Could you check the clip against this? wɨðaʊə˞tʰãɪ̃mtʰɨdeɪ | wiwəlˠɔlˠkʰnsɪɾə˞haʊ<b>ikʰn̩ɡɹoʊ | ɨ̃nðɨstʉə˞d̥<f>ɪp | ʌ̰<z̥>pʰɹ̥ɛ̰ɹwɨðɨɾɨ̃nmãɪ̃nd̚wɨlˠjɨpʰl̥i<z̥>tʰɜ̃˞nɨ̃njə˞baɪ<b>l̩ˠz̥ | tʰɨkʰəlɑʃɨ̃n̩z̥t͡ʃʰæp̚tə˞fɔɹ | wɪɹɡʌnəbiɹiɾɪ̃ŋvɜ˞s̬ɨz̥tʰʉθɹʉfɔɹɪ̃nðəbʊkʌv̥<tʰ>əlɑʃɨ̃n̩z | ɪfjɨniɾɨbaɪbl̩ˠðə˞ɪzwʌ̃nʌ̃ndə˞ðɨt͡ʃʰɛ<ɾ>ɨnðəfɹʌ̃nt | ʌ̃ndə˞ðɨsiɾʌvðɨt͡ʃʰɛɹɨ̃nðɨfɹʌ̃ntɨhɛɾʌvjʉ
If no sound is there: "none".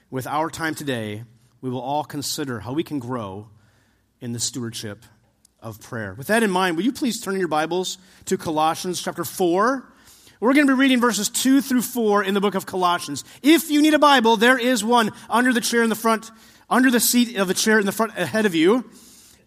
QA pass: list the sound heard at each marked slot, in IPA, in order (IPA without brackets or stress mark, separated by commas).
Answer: w, ʃ, v̥, z̥, b, kʰ, ɹ